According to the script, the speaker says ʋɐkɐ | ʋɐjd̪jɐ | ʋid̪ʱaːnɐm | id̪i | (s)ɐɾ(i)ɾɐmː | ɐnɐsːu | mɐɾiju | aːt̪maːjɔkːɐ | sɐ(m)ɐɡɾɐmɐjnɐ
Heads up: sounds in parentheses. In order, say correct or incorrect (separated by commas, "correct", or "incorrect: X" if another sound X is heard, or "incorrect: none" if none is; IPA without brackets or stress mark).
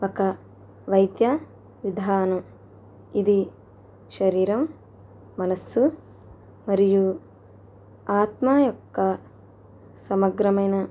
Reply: incorrect: ʃ, incorrect: iː, correct